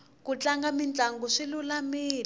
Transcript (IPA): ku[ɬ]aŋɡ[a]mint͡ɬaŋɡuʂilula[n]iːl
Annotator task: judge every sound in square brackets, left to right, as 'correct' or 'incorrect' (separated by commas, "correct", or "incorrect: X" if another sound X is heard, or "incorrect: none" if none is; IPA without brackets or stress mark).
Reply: incorrect: t͡ɬ, correct, incorrect: m